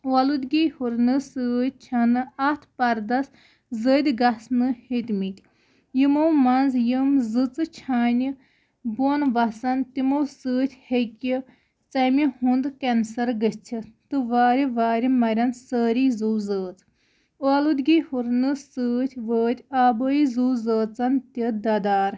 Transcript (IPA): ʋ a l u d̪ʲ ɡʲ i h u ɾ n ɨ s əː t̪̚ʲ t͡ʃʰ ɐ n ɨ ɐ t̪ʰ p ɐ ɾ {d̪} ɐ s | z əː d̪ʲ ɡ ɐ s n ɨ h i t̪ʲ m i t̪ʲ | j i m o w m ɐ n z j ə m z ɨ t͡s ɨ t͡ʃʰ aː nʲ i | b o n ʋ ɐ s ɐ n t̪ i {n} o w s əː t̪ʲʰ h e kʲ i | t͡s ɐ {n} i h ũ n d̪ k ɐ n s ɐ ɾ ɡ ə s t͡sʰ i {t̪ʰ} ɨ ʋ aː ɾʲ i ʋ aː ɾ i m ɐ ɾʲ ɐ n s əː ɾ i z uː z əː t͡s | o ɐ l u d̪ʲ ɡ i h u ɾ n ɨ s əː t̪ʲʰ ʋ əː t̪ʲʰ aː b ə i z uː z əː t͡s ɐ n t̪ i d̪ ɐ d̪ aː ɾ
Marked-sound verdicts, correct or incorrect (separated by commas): correct, incorrect, incorrect, incorrect